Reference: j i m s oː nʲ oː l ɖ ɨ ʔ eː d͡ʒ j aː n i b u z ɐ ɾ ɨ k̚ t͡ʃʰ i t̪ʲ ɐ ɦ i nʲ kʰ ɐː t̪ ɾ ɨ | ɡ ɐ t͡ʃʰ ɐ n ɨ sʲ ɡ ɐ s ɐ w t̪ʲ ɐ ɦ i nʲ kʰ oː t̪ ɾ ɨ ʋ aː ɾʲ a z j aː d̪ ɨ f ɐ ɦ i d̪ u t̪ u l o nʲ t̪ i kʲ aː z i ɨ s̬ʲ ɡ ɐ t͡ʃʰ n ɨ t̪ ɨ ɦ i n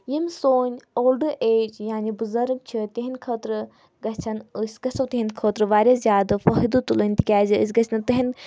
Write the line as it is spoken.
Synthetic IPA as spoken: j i m s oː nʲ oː l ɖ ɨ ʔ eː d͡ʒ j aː n i b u z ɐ ɾ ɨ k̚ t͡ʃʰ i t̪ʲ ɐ ɦ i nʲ kʰ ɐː t̪ ɾ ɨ | ɡ ɐ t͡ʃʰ ɐ n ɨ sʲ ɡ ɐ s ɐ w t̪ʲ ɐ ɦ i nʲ kʰ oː t̪ ɾ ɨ ʋ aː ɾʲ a z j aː d̪ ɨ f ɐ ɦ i d̪ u t̪ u l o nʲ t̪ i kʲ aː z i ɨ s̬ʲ ɡ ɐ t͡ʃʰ n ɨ t̪ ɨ ɦ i n